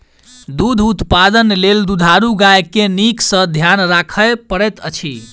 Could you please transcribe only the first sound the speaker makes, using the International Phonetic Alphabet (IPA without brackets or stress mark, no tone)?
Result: d̪